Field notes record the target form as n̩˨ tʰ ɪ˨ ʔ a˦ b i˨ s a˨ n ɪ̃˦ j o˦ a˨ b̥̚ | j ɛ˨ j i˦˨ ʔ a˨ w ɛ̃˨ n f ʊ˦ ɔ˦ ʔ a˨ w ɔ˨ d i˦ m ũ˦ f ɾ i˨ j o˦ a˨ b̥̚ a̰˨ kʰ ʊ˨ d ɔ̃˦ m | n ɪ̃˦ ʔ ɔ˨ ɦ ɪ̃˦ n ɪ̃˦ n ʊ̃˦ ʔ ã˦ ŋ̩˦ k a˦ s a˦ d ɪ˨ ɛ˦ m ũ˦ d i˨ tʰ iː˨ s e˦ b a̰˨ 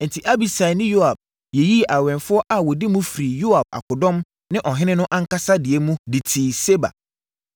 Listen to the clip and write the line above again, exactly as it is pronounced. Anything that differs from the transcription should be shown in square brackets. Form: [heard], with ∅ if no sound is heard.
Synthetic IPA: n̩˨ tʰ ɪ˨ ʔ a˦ b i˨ s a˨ n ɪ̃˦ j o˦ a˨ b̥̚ | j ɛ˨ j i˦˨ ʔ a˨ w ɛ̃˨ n f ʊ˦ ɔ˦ ʔ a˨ w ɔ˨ d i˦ m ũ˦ f ɾ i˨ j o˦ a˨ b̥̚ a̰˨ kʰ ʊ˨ d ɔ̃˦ m | n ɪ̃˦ ʔ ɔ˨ ɦ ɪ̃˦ n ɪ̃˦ n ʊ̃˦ ʔ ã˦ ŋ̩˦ k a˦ s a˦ d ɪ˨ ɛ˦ m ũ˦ d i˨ tʰ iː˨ s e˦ b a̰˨